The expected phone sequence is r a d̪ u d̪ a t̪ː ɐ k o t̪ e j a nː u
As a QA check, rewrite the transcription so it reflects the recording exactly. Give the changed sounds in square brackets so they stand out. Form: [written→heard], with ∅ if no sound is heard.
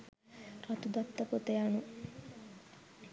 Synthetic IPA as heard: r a [d̪→t̪] u d̪ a t̪ː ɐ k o t̪ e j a [nː→n] u